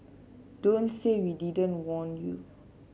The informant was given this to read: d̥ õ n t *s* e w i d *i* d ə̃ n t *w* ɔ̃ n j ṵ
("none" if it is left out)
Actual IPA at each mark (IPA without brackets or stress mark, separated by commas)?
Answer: s, i, w